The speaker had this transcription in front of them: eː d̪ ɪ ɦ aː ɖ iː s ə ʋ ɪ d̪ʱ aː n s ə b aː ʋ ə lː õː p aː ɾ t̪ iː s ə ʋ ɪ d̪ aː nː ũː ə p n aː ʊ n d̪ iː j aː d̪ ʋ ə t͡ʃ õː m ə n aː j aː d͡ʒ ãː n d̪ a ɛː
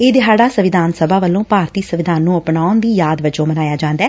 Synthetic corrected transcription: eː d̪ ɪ ɦ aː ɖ aː s ə ʋ ɪ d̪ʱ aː n s ə b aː ʋ ə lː õː p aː ɾ t̪ iː s ə ʋ ɪ d̪ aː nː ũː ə p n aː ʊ n d̪ iː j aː d̪ ʋ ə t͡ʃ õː m ə n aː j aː d͡ʒ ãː n d̪ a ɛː